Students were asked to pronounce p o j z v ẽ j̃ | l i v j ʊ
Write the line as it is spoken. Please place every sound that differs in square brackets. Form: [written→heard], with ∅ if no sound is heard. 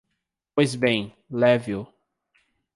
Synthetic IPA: p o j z [v→b] ẽ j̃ | l [i→ɛ] v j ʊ